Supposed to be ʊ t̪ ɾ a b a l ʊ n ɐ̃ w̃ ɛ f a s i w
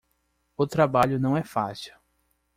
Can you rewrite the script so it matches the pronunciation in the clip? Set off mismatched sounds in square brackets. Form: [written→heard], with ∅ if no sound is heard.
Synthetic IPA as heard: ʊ t̪ ɾ a b a [l→ʎ] ʊ n ɐ̃ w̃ ɛ f a s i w